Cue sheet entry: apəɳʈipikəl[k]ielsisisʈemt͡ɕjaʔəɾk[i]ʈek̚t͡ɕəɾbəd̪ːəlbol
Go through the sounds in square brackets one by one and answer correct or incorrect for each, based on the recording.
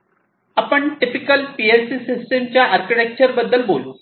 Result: incorrect: p, correct

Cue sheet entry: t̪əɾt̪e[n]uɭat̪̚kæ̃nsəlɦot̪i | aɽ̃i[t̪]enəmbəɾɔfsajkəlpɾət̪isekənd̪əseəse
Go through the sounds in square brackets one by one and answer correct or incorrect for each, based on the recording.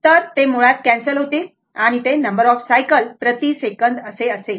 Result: incorrect: m, correct

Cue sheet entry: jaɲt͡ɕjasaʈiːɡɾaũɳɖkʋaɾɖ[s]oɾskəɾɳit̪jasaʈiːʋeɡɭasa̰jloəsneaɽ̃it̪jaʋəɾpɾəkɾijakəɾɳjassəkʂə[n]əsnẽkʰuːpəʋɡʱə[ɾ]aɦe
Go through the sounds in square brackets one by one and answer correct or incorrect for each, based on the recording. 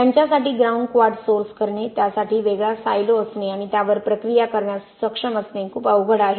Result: correct, incorrect: m, incorrect: ɽ

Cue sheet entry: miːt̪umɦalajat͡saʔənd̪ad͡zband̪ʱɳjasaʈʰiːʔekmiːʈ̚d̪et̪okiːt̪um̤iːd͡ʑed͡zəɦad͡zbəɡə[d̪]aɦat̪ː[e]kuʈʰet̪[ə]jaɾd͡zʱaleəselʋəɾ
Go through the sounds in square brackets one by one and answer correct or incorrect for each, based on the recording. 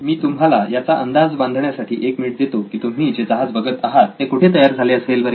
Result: incorrect: t̪, correct, correct

